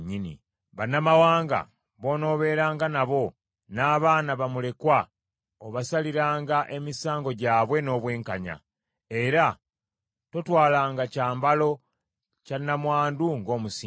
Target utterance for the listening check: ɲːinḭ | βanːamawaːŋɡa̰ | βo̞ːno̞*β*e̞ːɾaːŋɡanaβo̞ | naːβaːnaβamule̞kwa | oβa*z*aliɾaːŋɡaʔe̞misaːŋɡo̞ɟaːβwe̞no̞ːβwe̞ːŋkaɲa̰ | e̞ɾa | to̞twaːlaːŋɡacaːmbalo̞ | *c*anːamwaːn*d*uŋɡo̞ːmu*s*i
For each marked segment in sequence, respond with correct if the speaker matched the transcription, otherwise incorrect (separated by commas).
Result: correct, incorrect, correct, correct, correct